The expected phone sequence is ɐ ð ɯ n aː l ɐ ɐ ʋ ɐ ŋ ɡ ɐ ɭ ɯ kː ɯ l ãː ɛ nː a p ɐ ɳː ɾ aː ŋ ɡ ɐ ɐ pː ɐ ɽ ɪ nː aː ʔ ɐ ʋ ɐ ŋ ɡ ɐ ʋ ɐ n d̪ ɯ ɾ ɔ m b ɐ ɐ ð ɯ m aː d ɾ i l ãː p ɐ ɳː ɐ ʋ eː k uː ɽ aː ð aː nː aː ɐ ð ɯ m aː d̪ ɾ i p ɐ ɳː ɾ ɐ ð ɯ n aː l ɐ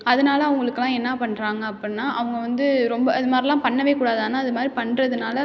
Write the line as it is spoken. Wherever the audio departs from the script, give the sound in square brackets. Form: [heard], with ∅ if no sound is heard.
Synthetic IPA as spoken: ɐ ð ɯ n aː l ɐ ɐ ʋ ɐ ŋ ɡ ɐ ɭ ɯ kː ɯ l ãː ɛ nː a p ɐ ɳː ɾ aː ŋ ɡ ɐ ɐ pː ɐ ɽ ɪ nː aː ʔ ɐ ʋ ɐ ŋ ɡ ɐ ʋ ɐ n d̪ ɯ ɾ ɔ m b ɐ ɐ ð ɯ m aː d ɾ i l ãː p ɐ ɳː ɐ ʋ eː k uː ɽ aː ð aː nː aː ɐ ð ɯ m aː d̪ ɾ i p ɐ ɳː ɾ ɐ ð ɯ n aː l ɐ

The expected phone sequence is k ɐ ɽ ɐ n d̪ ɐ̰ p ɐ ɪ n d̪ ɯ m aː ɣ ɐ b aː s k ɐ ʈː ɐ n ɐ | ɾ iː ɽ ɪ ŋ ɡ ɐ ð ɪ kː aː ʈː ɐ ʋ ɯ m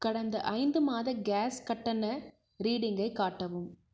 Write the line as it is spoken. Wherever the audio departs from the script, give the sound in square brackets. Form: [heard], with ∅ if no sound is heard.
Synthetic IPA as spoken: k ɐ ɽ ɐ n d̪ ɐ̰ [ʔ] ɐ ɪ n d̪ ɯ m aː [ð] ɐ [ɡ] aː s k ɐ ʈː ɐ n ɐ | ɾ iː ɽ ɪ ŋ ɡ ɐ [∅] ɪ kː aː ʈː ɐ ʋ ɯ m

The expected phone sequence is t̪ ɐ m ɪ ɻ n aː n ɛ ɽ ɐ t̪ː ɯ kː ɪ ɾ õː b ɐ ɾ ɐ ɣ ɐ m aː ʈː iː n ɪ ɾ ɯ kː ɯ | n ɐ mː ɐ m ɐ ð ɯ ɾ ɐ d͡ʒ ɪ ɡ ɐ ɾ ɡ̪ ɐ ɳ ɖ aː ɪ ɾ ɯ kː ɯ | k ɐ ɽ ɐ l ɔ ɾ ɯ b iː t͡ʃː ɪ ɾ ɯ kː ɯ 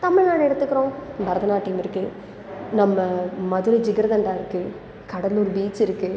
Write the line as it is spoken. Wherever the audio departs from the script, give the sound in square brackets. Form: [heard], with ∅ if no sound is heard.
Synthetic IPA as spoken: t̪ ɐ m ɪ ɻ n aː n ɛ ɽ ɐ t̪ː ɯ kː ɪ ɾ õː b ɐ ɾ ɐ [ð] ɐ [n] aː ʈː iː [m] ɪ ɾ ɯ kː ɯ | n ɐ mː ɐ m ɐ ð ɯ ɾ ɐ d͡ʒ ɪ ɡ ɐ ɾ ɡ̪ ɐ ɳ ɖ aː ɪ ɾ ɯ kː ɯ | k ɐ ɽ ɐ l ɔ ɾ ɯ b iː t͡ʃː ɪ ɾ ɯ kː ɯ

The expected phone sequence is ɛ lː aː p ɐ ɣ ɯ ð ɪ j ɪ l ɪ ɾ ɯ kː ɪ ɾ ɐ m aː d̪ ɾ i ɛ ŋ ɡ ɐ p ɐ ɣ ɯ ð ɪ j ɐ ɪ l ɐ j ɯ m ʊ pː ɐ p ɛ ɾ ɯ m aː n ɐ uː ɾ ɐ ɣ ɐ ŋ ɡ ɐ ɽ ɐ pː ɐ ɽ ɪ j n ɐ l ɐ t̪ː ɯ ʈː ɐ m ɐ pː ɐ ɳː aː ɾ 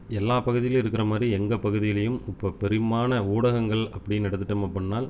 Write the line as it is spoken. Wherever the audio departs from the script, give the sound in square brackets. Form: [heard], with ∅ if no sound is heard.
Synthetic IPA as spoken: ɛ lː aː p ɐ ɣ ɯ ð ɪ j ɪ l ɪ ɾ ɯ kː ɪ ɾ ɐ m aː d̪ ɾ i ɛ ŋ ɡ ɐ p ɐ ɣ ɯ ð ɪ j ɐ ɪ l ɐ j ɯ m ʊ pː ɐ p ɛ ɾ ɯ m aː n ɐ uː [ɽ] ɐ ɣ ɐ ŋ ɡ ɐ [ɭ] ɐ pː ɐ ɽ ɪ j n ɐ [ɽ] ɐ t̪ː ɯ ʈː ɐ m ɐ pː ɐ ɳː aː [l]

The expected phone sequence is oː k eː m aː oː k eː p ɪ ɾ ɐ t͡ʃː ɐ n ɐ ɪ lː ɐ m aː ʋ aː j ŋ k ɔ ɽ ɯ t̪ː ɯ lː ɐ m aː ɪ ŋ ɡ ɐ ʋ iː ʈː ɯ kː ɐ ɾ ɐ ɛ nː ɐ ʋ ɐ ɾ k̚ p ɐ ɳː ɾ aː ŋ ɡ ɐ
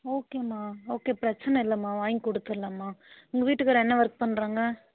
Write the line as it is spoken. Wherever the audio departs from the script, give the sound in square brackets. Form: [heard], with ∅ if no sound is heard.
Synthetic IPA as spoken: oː k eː m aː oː k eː p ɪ ɾ ɐ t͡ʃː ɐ n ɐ ɪ lː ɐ m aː ʋ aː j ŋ k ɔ ɽ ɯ t̪ː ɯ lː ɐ m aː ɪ ŋ ɡ ɐ ʋ iː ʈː ɯ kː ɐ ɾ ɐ ɛ nː ɐ ʋ ɐ ɾ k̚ p ɐ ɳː ɾ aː ŋ ɡ ɐ

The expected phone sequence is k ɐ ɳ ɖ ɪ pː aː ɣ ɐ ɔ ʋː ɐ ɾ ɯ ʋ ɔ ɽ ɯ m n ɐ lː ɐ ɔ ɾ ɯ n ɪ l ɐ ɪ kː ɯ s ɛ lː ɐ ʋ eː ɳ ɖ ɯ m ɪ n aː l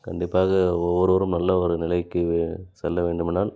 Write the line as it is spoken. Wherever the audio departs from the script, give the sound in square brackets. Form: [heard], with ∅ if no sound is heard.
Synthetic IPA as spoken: k ɐ ɳ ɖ ɪ pː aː ɣ ɐ ɔ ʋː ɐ ɾ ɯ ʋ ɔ [ɾ] ɯ m n ɐ lː ɐ ɔ ɾ ɯ n ɪ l ɐ ɪ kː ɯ s ɛ lː ɐ ʋ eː ɳ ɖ ɯ m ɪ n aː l

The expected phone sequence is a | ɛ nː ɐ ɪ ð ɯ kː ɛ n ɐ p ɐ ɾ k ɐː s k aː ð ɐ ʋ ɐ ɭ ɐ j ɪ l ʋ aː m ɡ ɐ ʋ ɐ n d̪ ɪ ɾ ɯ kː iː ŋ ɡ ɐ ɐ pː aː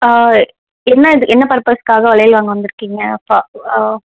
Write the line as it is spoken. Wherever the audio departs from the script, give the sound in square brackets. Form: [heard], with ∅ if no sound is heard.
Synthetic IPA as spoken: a | ɛ nː ɐ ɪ ð ɯ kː ɛ [nː] ɐ p ɐ ɾ [p] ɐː s k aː [ɣ] ɐ ʋ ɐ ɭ ɐ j ɪ l ʋ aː [ŋ] ɡ ɐ ʋ ɐ n d̪ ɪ ɾ ɯ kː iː ŋ ɡ ɐ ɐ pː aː

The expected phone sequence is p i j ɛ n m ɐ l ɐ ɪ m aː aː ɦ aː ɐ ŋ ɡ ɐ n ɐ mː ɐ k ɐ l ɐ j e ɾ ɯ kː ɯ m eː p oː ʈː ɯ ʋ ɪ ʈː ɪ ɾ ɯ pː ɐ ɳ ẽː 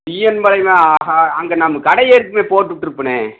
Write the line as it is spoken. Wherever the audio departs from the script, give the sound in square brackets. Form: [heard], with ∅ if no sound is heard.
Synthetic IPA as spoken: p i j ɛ n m ɐ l ɐ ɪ m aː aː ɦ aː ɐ ŋ ɡ ɐ n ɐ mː ɐ k ɐ [ɽ] ɐ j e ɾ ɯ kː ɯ m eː p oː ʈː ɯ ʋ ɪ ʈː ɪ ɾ ɯ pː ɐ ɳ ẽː

